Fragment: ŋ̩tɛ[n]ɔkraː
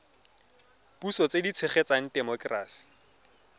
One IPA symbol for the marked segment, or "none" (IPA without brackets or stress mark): m